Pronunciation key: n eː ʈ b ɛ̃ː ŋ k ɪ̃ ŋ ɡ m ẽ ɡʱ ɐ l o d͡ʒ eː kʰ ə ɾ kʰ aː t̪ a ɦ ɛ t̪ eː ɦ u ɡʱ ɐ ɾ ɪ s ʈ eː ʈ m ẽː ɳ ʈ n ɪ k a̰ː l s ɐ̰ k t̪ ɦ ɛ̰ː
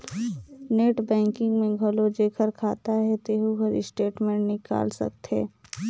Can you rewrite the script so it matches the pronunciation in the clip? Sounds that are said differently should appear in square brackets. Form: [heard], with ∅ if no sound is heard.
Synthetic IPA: n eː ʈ b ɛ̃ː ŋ k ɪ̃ ŋ ɡ m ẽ ɡʱ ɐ l o d͡ʒ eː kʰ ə ɾ kʰ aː t̪ a ɦ ɛ t̪ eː ɦ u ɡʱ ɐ ɾ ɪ s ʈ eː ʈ m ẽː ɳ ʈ n ɪ k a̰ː l s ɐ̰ k t̪ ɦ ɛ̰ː